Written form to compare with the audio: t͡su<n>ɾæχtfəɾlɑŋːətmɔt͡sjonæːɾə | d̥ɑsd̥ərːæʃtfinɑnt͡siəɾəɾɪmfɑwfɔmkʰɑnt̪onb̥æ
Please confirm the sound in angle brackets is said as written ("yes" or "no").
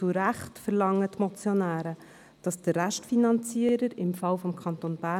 no